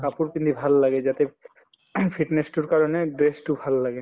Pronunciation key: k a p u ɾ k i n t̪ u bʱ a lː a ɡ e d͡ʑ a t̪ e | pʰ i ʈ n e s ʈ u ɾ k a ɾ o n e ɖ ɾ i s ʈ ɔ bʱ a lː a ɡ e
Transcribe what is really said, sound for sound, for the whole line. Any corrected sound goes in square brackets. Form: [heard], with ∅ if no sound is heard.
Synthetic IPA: k a p u ɾ k i n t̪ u bʱ a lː a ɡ e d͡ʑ a t̪ e | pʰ i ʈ n e s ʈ u ɾ k a ɾ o n e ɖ ɾ [e] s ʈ [u] bʱ a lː a ɡ e